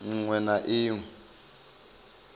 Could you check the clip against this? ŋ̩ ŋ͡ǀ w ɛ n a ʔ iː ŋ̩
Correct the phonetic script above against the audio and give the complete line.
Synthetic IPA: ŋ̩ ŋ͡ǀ w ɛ n a ʔ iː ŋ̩